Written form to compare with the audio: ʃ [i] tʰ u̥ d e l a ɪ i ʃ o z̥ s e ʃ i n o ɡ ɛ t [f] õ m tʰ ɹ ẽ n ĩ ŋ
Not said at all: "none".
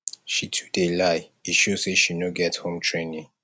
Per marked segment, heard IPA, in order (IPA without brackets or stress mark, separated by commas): i, h